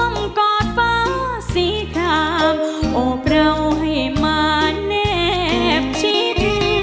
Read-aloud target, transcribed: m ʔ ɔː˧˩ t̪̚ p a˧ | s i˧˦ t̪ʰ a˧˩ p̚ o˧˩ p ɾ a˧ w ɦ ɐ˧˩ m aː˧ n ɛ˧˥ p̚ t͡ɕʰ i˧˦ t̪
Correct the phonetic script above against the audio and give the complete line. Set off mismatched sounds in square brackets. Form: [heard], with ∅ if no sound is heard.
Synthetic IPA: m [k] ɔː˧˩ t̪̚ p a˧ | s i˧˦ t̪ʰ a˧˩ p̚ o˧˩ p ɾ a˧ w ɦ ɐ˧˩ m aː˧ n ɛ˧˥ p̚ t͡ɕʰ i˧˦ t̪